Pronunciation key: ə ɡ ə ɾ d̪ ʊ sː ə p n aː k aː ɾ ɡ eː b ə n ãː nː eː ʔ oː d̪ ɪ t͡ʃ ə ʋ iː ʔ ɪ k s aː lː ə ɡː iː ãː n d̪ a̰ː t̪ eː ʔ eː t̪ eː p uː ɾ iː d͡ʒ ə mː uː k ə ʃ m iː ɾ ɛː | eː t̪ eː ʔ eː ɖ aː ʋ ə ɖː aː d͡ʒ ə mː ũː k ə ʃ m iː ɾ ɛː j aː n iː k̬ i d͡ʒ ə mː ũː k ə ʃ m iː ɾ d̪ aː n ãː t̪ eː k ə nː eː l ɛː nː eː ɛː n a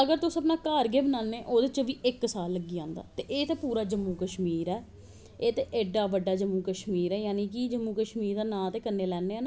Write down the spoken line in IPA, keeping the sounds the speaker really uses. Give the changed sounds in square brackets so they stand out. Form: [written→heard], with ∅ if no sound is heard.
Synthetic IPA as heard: ə ɡ ə ɾ [d̪→t̪] ʊ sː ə p n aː k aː ɾ ɡ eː b ə n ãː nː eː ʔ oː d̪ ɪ t͡ʃ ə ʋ iː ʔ ɪ k s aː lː ə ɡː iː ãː n d̪ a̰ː t̪ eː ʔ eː t̪ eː p uː ɾ [iː→aː] d͡ʒ ə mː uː k ə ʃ m iː ɾ ɛː | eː t̪ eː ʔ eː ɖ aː ʋ ə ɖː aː d͡ʒ ə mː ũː k ə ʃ m iː ɾ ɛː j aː n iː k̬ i d͡ʒ ə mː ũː k ə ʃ m iː ɾ d̪ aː n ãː t̪ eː k ə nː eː l ɛː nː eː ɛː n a